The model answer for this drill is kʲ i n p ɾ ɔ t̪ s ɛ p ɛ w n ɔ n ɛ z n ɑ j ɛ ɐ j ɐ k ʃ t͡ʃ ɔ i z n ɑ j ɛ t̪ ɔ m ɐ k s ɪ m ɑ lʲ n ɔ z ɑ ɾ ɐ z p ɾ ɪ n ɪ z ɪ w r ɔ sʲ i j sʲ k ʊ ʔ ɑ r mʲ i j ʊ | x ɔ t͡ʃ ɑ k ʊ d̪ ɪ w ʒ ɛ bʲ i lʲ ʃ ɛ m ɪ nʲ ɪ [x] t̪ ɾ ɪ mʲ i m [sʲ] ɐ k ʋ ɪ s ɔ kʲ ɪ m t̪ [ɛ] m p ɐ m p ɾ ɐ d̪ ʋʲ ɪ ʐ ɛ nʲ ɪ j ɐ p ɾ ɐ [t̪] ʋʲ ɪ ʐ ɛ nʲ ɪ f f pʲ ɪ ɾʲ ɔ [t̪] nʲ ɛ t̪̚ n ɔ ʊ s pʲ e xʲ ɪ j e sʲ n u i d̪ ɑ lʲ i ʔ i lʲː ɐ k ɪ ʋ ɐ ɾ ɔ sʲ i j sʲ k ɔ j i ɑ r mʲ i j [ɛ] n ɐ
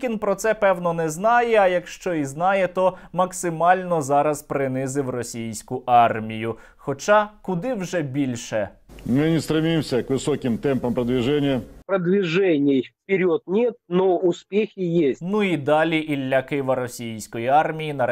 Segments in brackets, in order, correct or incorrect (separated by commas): incorrect, correct, correct, incorrect, correct, incorrect